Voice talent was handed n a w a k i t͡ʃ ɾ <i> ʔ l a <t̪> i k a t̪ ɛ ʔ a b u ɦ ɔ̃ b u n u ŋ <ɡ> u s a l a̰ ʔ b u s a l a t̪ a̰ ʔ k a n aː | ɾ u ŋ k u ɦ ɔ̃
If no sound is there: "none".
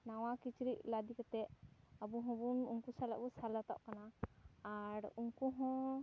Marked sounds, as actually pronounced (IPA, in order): i, d̪, k

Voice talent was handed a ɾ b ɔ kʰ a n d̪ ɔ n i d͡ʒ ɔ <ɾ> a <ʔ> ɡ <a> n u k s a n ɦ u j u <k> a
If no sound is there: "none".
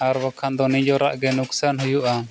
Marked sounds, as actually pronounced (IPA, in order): ɾ, ʔ, ɛ, ʔ

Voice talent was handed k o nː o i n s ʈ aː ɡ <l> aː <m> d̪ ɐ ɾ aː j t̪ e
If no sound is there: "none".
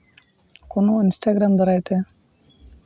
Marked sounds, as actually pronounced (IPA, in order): ɾ, m

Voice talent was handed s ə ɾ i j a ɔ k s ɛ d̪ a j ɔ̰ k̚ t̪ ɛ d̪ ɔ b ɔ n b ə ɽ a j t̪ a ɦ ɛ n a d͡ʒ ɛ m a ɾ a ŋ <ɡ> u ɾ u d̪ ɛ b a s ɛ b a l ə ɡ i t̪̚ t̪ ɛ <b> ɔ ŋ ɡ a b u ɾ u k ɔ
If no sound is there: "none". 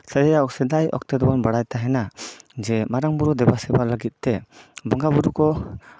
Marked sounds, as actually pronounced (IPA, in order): b, b

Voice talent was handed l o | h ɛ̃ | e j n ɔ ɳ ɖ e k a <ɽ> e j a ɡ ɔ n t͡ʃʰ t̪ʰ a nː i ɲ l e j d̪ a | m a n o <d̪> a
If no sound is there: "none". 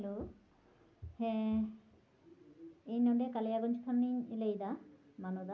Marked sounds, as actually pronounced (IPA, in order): l, d̪

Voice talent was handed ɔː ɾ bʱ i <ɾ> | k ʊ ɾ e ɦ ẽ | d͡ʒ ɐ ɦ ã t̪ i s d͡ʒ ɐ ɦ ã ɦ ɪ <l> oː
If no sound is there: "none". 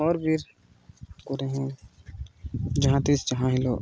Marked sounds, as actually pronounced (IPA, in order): ɾ, l

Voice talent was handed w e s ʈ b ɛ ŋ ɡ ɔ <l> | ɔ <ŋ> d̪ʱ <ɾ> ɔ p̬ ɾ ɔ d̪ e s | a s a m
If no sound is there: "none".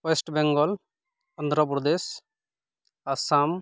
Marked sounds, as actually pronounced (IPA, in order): l, n, ɾ

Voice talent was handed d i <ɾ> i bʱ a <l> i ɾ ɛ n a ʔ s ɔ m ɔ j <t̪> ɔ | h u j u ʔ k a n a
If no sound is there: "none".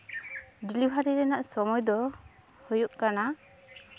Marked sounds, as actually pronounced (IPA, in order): l, ɾ, d̪

